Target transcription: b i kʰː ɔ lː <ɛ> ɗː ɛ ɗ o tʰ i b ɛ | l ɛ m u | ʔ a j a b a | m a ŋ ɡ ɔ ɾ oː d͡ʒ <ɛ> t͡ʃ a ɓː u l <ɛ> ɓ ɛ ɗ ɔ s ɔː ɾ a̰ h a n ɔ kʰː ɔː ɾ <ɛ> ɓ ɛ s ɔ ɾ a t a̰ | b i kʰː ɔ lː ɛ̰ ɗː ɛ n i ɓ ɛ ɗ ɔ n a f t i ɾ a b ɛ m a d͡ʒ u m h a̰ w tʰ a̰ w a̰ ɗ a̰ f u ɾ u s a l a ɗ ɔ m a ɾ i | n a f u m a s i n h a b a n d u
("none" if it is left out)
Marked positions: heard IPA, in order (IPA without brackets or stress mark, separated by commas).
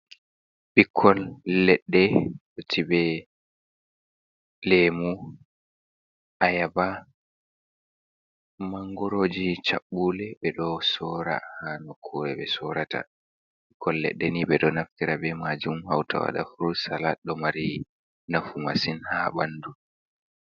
ɛ, i, ɛ, ɛ